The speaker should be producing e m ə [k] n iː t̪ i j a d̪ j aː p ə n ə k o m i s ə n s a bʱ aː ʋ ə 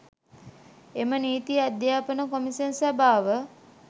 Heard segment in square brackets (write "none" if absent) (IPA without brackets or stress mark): none